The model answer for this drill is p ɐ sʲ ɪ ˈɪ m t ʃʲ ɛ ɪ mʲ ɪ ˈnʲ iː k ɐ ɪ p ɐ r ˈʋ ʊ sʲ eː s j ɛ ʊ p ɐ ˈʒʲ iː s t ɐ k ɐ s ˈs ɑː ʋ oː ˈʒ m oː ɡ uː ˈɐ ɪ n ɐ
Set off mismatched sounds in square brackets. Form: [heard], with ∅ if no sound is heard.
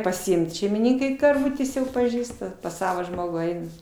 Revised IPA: p ɐ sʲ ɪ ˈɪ m t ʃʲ ɛ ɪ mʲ ɪ ˈnʲ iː k ɐ ɪ [k] ɐ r ˈʋ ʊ [tʲ] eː s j ɛ ʊ p ɐ ˈʒʲ iː s t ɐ [p] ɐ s ˈs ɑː ʋ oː ˈʒ m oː ɡ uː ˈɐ ɪ n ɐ